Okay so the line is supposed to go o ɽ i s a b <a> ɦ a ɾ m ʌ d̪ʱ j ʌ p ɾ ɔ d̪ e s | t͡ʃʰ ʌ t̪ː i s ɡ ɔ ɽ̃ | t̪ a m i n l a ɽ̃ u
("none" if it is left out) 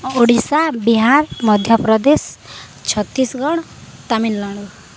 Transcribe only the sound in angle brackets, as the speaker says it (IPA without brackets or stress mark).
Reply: i